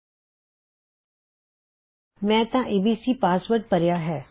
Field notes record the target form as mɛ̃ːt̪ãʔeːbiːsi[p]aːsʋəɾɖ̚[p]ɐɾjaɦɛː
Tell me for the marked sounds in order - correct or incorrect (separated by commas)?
correct, correct